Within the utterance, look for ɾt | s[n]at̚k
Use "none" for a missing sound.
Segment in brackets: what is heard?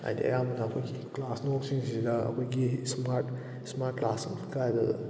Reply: m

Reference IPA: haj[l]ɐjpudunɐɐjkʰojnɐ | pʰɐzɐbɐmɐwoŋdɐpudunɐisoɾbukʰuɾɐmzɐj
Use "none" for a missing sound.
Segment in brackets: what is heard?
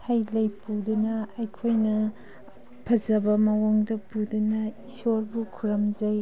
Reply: l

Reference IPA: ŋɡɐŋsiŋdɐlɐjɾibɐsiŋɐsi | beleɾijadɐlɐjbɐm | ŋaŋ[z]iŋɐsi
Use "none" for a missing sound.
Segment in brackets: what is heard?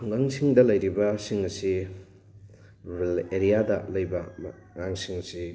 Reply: s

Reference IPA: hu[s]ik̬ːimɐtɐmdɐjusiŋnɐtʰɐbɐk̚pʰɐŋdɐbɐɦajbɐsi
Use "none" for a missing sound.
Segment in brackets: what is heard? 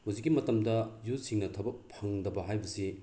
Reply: z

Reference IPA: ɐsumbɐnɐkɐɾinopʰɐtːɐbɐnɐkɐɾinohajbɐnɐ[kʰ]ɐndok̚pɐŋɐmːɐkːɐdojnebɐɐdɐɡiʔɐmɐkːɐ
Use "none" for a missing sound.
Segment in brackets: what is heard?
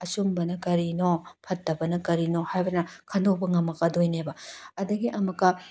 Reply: kʰ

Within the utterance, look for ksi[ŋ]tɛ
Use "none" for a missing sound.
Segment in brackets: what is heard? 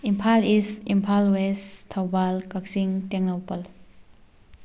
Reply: ŋ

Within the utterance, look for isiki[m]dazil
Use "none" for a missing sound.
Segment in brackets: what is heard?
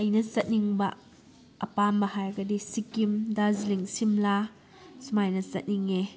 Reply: m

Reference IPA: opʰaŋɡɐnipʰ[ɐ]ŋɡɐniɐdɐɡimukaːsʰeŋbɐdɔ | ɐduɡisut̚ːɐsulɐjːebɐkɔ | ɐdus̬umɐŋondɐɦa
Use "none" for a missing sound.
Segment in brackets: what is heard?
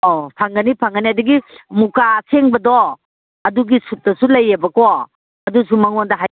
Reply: a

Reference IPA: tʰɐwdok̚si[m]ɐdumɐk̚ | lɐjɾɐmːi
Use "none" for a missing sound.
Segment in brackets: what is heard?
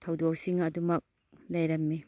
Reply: ŋ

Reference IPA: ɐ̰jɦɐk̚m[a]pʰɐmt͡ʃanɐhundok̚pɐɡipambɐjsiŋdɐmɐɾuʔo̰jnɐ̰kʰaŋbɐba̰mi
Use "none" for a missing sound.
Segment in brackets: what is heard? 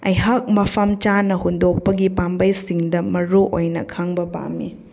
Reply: ɐ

